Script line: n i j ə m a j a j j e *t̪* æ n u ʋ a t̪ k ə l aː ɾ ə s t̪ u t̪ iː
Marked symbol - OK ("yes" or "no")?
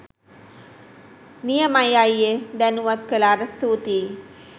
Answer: no